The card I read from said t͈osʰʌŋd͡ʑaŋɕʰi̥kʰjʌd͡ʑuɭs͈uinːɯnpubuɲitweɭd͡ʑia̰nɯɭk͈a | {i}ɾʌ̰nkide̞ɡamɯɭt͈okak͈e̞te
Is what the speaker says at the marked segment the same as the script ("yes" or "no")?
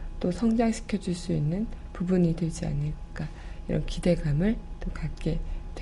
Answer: yes